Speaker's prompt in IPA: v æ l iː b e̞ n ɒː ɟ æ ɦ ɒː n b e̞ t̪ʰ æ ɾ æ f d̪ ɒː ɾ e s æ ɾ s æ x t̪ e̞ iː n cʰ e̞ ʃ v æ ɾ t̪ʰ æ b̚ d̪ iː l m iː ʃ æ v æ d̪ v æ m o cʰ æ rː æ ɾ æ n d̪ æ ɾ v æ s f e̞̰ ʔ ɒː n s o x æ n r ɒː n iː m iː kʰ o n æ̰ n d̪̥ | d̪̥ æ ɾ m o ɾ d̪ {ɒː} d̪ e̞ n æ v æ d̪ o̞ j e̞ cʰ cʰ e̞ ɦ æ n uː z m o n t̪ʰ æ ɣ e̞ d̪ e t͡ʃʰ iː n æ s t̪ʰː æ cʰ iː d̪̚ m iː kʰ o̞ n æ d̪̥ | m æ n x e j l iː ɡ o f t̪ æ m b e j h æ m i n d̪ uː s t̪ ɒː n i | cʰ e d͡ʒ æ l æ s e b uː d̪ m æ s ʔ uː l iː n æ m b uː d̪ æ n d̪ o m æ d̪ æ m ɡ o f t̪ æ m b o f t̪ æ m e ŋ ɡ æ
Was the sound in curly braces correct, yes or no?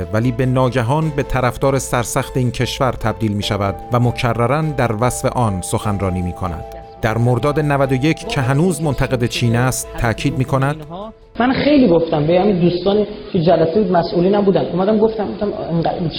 yes